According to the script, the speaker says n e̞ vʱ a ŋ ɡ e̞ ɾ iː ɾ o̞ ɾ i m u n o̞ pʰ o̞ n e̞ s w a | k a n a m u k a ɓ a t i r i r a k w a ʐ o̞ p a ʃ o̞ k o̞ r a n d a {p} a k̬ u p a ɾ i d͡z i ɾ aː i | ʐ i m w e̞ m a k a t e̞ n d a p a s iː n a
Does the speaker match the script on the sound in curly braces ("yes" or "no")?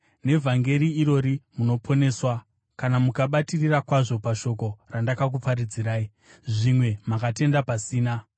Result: no